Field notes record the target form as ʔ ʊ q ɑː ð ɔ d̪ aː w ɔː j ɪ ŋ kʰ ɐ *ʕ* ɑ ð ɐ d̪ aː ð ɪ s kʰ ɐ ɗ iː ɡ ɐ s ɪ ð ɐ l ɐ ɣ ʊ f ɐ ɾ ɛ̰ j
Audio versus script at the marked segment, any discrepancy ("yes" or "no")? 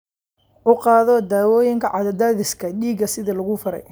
no